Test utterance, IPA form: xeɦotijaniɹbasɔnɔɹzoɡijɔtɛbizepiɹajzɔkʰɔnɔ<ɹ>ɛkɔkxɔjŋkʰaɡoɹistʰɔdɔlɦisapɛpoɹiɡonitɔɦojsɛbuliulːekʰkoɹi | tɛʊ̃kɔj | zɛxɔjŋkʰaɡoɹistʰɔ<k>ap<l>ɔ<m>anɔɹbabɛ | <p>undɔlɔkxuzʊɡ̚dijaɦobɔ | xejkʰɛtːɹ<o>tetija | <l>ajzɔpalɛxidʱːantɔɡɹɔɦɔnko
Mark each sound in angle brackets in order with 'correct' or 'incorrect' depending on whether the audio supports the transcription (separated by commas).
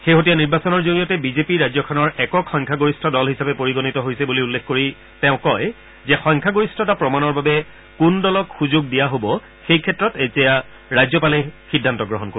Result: correct, incorrect, incorrect, correct, incorrect, incorrect, incorrect